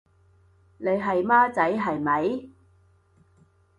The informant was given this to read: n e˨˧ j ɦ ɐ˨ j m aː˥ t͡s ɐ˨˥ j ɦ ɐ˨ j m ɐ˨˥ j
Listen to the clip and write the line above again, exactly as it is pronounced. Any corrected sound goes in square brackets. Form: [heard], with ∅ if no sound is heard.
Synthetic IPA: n e˨˧ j ɦ ɐ˨ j m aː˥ t͡s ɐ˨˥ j ɦ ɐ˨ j m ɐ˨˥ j